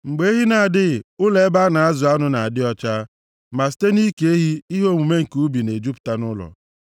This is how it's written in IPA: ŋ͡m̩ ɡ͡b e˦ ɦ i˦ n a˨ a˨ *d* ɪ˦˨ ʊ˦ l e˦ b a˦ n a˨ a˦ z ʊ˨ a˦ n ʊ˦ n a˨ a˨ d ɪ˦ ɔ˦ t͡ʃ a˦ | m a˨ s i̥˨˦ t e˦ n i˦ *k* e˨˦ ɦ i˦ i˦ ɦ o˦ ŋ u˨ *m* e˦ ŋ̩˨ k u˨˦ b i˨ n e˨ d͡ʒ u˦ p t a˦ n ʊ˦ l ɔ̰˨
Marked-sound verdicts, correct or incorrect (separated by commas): correct, correct, correct